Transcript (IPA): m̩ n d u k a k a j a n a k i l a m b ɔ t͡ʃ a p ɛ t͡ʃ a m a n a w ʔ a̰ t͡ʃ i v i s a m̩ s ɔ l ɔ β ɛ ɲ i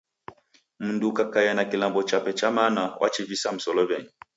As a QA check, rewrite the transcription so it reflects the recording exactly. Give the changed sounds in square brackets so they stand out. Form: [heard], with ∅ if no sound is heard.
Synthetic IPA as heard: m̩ n d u k a k a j a n a k i l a m b ɔ t͡ʃ a p ɛ t͡ʃ a m a n a w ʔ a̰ t͡ʃ i v i s a m̩ s ɔ l ɔ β ɛ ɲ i